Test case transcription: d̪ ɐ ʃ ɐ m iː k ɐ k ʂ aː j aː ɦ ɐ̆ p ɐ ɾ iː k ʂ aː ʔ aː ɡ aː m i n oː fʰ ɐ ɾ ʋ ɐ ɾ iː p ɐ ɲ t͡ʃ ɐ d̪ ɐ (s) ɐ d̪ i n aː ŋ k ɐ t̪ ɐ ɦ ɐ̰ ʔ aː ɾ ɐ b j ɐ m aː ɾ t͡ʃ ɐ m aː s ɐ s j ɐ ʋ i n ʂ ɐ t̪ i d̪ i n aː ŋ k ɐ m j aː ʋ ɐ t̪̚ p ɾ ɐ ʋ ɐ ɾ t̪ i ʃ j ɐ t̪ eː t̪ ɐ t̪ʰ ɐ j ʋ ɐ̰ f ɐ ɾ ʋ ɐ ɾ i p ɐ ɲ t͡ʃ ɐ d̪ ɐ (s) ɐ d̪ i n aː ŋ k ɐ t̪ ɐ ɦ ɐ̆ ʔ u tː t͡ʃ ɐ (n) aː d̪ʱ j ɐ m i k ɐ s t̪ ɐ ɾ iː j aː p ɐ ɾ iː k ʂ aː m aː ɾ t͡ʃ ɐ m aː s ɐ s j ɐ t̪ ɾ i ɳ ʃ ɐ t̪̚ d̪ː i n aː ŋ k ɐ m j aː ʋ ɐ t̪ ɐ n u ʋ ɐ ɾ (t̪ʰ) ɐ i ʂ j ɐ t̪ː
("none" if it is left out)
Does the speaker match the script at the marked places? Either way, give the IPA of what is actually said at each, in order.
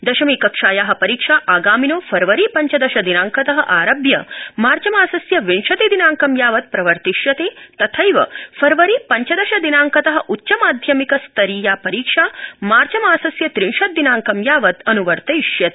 ʃ, ʃ, m, t̪

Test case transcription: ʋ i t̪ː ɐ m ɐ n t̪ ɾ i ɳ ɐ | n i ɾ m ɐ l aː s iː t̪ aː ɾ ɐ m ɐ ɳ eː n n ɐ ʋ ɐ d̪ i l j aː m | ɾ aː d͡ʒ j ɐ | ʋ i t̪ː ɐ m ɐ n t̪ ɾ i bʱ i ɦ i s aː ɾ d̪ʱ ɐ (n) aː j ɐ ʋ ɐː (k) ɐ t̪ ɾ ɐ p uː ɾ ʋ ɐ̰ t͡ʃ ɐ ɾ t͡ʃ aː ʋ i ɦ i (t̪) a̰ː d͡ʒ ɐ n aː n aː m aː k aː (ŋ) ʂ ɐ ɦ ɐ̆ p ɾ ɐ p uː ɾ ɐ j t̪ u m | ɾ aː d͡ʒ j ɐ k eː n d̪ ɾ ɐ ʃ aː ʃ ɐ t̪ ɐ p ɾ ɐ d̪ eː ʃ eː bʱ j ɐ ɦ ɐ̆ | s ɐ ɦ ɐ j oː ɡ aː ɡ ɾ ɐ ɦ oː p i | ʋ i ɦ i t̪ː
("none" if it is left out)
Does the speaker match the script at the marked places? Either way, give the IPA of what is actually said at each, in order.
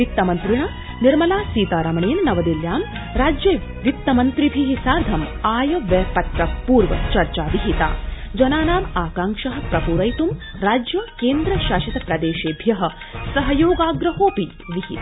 m, p, t̪, ŋ

